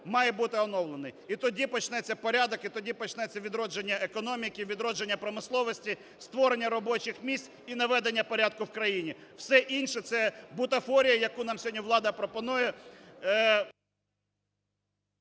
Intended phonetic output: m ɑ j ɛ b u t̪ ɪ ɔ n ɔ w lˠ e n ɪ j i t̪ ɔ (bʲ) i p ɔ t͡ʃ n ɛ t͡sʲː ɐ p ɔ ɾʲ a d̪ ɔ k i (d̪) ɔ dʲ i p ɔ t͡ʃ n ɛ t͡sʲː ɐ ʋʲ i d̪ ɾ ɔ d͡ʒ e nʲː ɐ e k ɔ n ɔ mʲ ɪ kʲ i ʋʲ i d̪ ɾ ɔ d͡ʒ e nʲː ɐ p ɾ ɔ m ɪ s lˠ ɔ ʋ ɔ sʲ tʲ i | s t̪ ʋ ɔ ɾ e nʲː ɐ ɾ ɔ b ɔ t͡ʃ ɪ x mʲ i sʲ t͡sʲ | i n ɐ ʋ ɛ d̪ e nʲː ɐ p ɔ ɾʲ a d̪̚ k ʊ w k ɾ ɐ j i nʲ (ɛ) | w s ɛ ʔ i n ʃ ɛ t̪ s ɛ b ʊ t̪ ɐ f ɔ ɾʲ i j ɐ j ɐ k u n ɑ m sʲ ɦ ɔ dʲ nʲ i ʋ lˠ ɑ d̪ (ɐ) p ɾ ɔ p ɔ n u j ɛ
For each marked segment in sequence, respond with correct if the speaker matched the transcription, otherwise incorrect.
incorrect: dʲ, incorrect: t̪, incorrect: i, correct

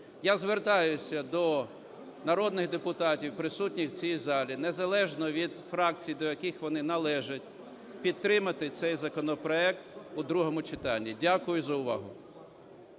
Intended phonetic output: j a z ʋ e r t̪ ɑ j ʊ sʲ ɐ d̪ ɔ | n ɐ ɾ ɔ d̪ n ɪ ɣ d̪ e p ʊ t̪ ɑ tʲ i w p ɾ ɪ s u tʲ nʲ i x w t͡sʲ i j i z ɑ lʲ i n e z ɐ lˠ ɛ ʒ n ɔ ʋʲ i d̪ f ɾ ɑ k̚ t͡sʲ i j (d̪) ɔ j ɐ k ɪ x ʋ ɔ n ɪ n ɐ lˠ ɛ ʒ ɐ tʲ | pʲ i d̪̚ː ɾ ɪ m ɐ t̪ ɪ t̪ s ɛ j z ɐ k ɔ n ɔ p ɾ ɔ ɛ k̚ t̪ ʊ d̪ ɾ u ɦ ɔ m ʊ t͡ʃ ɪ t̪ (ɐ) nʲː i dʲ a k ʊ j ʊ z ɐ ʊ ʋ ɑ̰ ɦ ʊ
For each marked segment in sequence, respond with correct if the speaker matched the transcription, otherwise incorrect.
correct, incorrect: ɑ

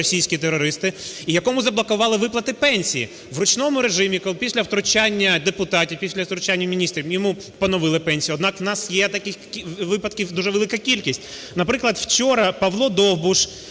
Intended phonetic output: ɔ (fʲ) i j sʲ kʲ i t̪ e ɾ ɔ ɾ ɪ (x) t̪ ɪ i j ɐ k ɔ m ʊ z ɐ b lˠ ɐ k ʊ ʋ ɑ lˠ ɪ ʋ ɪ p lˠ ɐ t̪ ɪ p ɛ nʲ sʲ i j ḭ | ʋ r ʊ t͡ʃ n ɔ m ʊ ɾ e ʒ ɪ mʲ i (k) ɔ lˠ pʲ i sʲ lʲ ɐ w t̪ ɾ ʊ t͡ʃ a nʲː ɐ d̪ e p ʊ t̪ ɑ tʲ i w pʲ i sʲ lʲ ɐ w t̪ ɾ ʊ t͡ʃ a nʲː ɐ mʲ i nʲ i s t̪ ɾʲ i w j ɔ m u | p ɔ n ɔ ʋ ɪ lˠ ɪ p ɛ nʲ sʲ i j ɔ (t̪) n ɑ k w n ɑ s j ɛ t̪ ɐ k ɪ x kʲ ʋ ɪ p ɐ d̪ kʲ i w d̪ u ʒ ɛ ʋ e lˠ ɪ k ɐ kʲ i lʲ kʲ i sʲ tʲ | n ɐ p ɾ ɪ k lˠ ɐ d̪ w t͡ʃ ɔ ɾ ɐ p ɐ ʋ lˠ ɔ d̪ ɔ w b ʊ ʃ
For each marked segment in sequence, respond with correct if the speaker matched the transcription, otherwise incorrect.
incorrect: sʲ, incorrect: s, correct, incorrect: d̪

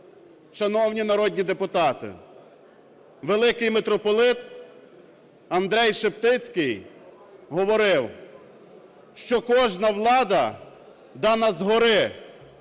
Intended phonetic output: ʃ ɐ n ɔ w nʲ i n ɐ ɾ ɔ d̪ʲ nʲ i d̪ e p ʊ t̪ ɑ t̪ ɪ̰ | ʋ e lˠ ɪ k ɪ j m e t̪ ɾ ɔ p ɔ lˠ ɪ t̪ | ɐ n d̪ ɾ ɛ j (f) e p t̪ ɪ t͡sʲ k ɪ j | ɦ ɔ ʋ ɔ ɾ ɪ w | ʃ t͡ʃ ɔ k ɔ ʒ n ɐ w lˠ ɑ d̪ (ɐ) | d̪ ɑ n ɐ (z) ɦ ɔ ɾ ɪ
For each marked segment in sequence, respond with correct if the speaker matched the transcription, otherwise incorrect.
incorrect: ʃ, correct, correct

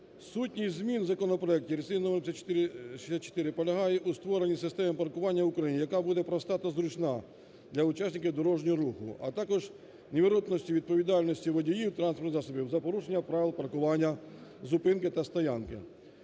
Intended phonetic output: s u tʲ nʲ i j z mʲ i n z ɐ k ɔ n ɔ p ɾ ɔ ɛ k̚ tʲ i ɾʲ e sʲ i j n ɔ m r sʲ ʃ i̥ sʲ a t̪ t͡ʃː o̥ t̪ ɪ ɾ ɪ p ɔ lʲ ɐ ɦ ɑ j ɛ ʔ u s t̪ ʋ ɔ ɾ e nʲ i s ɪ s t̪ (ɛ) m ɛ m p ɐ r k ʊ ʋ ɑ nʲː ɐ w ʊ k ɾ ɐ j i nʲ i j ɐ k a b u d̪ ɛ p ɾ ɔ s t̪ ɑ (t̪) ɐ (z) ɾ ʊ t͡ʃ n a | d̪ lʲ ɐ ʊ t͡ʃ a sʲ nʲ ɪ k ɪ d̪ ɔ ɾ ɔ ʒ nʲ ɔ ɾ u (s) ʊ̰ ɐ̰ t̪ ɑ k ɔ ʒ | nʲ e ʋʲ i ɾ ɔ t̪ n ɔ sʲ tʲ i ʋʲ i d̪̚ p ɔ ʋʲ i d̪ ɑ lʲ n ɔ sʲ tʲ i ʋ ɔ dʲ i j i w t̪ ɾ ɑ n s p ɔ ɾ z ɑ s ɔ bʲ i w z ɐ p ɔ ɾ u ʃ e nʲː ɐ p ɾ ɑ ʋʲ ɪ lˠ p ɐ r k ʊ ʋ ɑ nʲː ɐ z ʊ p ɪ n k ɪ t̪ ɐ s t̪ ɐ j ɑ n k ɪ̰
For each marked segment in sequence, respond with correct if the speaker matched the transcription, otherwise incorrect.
correct, correct, correct, incorrect: x

